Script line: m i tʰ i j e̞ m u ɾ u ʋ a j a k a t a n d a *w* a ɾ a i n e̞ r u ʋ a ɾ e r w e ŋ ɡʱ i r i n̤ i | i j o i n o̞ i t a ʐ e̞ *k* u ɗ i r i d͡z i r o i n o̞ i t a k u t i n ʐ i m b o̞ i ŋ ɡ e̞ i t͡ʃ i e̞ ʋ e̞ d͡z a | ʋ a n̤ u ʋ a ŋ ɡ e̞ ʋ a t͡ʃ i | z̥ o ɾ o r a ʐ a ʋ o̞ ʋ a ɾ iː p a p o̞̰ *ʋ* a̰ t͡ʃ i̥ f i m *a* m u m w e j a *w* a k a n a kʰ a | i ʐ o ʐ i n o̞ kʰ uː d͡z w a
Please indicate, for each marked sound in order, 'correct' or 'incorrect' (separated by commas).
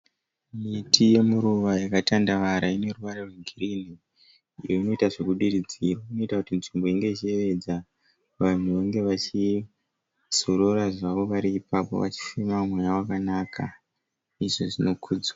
incorrect, correct, correct, correct, correct